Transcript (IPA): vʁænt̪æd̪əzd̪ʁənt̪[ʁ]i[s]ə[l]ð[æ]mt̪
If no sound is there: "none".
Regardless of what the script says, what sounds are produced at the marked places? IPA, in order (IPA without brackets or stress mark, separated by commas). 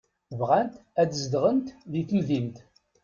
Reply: ð, θ, l, i